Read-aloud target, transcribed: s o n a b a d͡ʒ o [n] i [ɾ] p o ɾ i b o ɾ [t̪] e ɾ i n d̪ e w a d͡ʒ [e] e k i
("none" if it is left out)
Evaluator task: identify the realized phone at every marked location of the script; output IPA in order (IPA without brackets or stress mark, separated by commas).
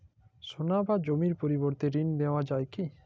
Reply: m, ɾ, t̪, a